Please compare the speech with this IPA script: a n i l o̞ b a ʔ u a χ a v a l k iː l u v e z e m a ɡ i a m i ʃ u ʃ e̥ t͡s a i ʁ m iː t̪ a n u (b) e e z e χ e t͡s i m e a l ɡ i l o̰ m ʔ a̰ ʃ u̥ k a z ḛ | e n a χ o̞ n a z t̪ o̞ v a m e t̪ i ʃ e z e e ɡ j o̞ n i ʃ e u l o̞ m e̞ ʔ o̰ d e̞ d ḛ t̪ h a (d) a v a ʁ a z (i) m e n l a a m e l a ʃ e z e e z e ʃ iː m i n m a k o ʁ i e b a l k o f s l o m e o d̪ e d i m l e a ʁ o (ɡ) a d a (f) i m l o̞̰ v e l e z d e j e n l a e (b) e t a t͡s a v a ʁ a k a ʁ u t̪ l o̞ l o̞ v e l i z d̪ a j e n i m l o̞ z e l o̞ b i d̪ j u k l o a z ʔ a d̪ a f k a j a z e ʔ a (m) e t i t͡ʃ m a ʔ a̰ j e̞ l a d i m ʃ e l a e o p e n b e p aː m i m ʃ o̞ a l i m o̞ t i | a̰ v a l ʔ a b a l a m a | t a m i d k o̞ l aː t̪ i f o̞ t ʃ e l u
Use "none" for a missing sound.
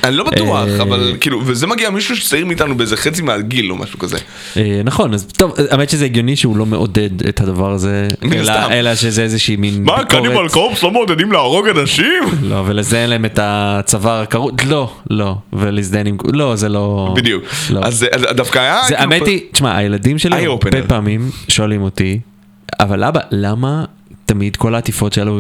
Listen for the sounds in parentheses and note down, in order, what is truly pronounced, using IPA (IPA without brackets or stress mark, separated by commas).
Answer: b, d, e, ɡ, ʃ, m, m